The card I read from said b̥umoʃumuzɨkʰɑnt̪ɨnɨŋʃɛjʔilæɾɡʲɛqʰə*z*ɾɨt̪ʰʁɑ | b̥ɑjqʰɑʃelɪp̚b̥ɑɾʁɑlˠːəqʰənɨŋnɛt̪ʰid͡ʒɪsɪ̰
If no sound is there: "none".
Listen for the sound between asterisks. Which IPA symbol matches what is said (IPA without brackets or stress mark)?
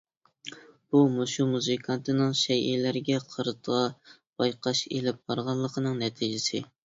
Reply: none